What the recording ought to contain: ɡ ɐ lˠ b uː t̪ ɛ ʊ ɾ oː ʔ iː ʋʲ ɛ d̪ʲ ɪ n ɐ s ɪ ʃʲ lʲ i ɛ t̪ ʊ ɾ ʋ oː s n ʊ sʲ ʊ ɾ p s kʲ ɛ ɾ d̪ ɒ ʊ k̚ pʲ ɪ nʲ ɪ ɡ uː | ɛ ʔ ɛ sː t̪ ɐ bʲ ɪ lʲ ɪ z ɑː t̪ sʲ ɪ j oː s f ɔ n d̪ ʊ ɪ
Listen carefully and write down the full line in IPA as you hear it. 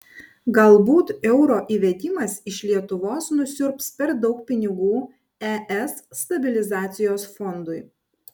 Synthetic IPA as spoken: ɡ ɐ lˠ b uː t̪ ɛ ʊ ɾ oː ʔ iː ʋʲ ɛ d̪ʲ ɪ m ɐ s ɪ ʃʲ lʲ i ɛ t̪ ʊ ʋ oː s n ʊ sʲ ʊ ɾ p s pʲ ɛ ɾ d̪ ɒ ʊ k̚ pʲ ɪ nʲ ɪ ɡ uː | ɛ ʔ ɛ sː t̪ ɐ bʲ ɪ lʲ ɪ z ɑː t̪ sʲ ɪ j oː s f ɔ n d̪ ʊ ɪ

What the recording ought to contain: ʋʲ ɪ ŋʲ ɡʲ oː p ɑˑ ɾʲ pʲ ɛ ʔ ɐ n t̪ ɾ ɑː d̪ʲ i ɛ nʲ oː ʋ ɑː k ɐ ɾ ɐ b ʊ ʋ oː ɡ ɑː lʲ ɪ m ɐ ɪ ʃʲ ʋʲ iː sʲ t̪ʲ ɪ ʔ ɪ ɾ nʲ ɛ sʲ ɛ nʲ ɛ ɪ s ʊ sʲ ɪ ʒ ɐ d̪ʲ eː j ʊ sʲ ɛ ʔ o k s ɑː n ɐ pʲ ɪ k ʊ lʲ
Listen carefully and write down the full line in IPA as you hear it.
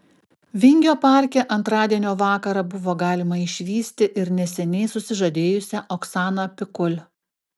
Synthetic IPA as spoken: ʋʲ ɪ ŋʲ ɡʲ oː p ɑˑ ɾʲ kʲ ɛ ʔ ɐ n t̪ ɾ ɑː d̪ʲ i ɛ nʲ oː ʋ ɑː k ɐ ɾ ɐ b ʊ ʋ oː ɡ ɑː lʲ ɪ m ɐ ɪ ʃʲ ʋʲ iː sʲ t̪ʲ ɪ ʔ ɪ ɾ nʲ ɛ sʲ ɛ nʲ ɛ ɪ s ʊ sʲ ɪ ʒ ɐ d̪ʲ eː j ʊ sʲ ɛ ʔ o k s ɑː n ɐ pʲ ɪ k ʊ lʲ

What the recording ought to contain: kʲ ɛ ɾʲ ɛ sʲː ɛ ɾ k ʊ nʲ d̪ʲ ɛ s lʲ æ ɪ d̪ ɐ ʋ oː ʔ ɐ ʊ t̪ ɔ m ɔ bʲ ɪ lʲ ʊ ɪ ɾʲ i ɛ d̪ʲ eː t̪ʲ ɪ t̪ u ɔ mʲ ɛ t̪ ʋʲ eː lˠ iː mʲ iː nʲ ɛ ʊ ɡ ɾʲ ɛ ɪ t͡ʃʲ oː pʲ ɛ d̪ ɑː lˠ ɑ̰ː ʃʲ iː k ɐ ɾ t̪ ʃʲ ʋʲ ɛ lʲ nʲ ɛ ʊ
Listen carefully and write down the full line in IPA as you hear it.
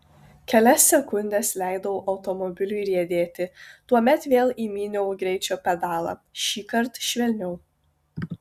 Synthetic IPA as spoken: kʲ ɛ lʲ ɛ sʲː ɛ k ʊ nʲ d̪ʲ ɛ s lʲ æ ɪ d̪ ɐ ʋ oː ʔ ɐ ʊ t̪ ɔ m ɔ bʲ ɪ lʲ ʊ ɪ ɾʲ i ɛ d̪ʲ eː t̪ʲ ɪ t̪ u ɔ mʲ ɛ t̪ ʋʲ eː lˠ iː mʲ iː nʲ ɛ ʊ ɡ ɾʲ ɛ ɪ t͡ʃʲ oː pʲ ɛ d̪ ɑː lˠ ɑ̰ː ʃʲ iː k ɐ ɾ t̪ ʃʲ ʋʲ ɛ lʲ nʲ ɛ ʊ

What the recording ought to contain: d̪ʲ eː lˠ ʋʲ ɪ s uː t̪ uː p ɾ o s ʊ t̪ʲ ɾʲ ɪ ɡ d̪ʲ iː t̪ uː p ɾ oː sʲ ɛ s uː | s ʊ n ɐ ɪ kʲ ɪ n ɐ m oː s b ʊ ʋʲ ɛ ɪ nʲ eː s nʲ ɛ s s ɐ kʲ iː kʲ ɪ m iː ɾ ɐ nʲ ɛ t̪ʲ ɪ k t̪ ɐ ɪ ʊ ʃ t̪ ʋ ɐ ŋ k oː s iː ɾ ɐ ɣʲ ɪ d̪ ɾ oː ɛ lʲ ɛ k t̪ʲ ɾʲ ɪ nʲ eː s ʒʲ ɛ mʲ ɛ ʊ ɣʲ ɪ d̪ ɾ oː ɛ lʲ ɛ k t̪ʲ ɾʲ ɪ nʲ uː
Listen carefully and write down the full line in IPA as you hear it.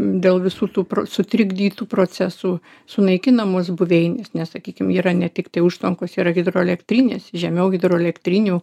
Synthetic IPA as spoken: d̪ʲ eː lˠ ʋʲ ɪ s uː t̪ uː p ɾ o s ʊ t̪ʲ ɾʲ ɪ ɡ d̪ʲ iː t̪ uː p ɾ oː t͡sʲ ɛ s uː | s ʊ n ɐ ɪ kʲ ɪ n ɐ m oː s b ʊ ʋʲ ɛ ɪ nʲ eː s nʲ ɛ s s ɐ kʲ iː kʲ ɪ m iː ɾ ɐ nʲ ɛ t̪ʲ ɪ k t̪ ɐ ɪ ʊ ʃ t̪ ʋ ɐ ŋ k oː s iː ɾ ɐ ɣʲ ɪ d̪ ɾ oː ɛ lʲ ɛ k t̪ʲ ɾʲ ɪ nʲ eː s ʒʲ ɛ mʲ ɛ ʊ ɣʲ ɪ d̪ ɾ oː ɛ lʲ ɛ k t̪ʲ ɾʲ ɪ nʲ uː

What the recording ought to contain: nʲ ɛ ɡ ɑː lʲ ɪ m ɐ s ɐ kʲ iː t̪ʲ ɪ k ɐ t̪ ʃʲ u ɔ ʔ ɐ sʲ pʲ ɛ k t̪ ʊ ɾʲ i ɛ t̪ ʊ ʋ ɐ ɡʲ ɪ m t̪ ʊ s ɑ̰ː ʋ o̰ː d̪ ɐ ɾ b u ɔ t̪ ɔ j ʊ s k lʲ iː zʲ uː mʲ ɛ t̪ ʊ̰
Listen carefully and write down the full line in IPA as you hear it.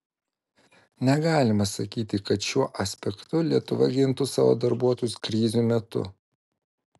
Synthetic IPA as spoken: nʲ ɛ ɡ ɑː lʲ ɪ m ɐ s ɐ kʲ iː t̪ʲ ɪ k ɐ t̪ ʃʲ u ɔ ʔ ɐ sʲ pʲ ɛ k t̪ ʊ lʲ i ɛ t̪ ʊ ʋ ɐ ɡʲ ɪ n t̪ ʊ s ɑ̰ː ʋ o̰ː d̪ ɐ ɾ b u ɔ t̪ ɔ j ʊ s k ɾʲ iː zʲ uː mʲ ɛ t̪ ʊ̰

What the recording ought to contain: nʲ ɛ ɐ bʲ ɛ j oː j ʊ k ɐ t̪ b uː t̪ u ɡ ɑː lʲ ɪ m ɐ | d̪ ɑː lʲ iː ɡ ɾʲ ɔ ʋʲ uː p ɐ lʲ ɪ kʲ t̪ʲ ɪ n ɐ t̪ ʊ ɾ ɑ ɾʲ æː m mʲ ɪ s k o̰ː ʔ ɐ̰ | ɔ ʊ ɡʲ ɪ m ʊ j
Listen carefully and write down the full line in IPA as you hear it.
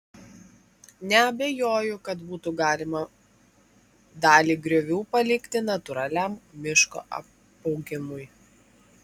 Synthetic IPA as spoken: nʲ ɛ ɐ bʲ ɛ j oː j ʊ k ɐ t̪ b uː t̪ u ɡ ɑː lʲ ɪ m ɐ | d̪ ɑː lʲ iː ɡ ɾʲ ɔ ʋʲ uː p ɐ lʲ ɪ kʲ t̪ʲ ɪ n ɐ t̪ ʊ ɾ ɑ lʲ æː m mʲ ɪ ʃ k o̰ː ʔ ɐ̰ | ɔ ʊ ɡʲ ɪ m ʊ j

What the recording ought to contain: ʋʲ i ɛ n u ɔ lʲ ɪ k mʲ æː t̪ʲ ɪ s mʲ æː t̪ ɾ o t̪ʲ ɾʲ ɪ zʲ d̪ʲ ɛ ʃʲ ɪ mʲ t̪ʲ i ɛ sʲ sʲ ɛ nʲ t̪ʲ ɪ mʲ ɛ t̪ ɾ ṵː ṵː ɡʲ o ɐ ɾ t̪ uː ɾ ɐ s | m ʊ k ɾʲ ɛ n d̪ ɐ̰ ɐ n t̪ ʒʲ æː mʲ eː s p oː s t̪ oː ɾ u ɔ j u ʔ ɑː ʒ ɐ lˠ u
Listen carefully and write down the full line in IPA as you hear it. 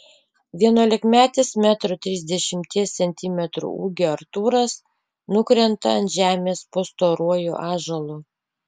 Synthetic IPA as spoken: ʋʲ i ɛ n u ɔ lʲ ɪ k mʲ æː t̪ʲ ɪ s mʲ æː t̪ ɾ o t̪ʲ ɾʲ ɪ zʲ d̪ʲ ɛ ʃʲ ɪ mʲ t̪ʲ i ɛ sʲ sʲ ɛ nʲ t̪ʲ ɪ mʲ ɛ t̪ ɾ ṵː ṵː ɡʲ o ɐ ɾ t̪ uː ɾ ɐ s | n ʊ k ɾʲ ɛ n t̪ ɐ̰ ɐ n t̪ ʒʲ æː mʲ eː s p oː s t̪ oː ɾ u ɔ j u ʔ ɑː ʒ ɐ lˠ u

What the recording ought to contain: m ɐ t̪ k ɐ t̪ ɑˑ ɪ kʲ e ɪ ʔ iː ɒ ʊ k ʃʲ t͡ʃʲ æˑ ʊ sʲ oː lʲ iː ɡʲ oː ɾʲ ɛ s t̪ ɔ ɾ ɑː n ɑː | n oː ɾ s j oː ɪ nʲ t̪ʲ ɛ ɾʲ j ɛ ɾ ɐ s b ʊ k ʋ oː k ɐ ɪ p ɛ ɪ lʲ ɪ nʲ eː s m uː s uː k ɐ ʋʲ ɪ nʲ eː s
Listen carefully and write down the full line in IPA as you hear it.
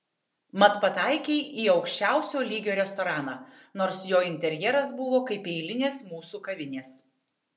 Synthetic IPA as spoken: m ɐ t̪ p ɐ t̪ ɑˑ ɪ kʲ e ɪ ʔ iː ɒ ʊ k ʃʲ t͡ʃʲ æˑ ʊ sʲ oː lʲ iː ɡʲ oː ɾʲ ɛ s t̪ ɔ ɾ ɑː n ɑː | n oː ɾ s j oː ɪ nʲ t̪ʲ ɛ ɾʲ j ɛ ɾ ɐ s b ʊ ʋ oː k ɐ ɪ p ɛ ɪ lʲ ɪ nʲ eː s m uː s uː k ɐ ʋʲ ɪ nʲ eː s

